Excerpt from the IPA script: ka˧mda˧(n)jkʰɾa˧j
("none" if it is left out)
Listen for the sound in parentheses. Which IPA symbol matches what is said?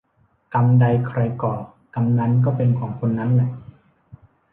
none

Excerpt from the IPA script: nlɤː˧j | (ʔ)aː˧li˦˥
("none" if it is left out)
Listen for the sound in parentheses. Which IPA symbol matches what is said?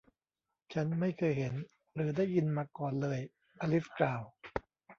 ʔ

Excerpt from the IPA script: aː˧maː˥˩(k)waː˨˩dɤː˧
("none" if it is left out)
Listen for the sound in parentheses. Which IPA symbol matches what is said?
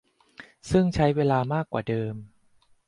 k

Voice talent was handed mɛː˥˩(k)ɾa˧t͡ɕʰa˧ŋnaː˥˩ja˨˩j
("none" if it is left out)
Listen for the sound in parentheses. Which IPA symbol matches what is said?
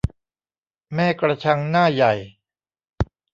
k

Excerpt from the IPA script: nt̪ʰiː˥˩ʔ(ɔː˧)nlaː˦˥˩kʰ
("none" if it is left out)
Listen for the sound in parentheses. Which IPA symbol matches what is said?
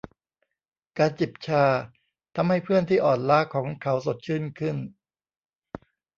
ɔː˨˩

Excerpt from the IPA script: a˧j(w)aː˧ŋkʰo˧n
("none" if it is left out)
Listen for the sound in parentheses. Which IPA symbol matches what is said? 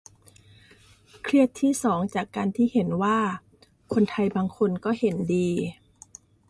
b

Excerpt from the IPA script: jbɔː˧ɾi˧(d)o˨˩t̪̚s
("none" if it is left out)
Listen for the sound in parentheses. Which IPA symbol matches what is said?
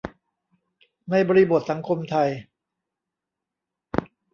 b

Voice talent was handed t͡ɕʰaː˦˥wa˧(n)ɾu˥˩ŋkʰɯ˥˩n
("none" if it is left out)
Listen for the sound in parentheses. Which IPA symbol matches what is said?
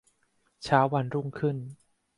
n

